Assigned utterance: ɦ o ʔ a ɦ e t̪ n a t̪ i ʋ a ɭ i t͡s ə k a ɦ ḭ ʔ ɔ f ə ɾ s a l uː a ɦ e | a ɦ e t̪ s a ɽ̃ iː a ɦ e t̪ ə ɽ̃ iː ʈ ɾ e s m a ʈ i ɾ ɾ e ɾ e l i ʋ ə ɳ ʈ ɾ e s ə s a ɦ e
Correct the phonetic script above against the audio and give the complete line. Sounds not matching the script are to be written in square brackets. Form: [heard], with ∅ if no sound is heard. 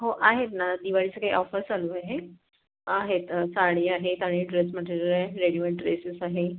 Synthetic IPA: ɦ o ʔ a ɦ e t̪ n a [d̪] i ʋ a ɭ i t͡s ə k a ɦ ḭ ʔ ɔ f ə ɾ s a l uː a ɦ e | a ɦ e t̪ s a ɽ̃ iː a ɦ e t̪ [a] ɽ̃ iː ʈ ɾ e s m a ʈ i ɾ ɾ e ɾ e [ɽ] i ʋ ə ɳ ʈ ɾ e s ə s a ɦ e